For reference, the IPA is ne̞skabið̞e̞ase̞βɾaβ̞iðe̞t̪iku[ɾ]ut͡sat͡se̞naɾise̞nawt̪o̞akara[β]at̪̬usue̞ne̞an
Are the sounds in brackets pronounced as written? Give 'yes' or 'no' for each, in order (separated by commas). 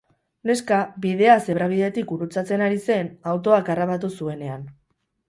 yes, yes